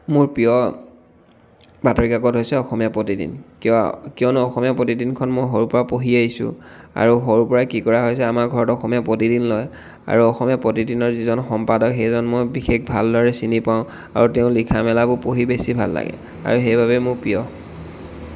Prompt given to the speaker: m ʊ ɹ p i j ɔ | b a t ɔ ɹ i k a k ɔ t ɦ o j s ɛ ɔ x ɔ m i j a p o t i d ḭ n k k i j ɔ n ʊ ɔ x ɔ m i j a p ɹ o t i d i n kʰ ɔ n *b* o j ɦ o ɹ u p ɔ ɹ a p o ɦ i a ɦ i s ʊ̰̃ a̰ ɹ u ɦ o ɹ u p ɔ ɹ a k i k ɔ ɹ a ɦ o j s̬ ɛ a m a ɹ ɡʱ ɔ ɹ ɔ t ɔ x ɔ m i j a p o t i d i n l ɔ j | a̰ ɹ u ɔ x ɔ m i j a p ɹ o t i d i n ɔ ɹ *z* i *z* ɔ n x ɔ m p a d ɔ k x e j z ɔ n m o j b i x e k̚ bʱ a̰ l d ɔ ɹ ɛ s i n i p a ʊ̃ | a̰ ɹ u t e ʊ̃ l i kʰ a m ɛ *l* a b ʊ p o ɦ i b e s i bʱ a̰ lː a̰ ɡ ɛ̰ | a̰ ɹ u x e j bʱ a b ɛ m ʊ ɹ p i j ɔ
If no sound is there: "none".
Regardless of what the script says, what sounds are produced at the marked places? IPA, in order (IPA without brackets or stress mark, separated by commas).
m, z, z, l